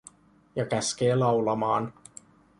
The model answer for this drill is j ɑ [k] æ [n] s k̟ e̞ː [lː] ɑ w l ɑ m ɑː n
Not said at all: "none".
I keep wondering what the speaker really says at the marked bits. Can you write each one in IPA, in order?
k, none, l

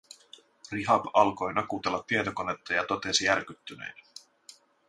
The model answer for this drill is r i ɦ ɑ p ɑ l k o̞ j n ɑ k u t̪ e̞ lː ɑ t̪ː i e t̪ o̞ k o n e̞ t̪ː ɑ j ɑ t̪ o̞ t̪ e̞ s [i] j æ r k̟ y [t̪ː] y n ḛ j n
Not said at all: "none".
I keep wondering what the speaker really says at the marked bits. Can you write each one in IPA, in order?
i, t̪ː

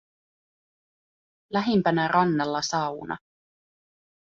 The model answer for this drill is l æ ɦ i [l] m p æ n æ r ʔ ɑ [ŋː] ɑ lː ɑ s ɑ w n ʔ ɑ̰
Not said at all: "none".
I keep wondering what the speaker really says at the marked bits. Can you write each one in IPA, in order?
none, nː

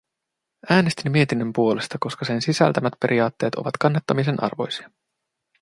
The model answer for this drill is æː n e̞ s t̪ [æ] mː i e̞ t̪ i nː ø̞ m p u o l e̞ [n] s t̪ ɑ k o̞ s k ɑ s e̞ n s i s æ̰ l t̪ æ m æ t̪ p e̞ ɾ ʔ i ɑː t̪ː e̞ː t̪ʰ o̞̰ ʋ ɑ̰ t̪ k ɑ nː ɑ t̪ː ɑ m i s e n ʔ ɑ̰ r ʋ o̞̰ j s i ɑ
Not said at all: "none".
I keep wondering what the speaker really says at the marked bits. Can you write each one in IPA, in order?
i, none

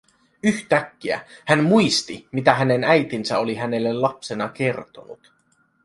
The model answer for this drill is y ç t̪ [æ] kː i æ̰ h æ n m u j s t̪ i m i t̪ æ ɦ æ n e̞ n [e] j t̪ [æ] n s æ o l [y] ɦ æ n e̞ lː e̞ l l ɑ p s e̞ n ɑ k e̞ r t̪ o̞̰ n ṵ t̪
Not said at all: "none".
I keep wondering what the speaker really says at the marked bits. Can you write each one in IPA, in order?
æ, æ, i, i

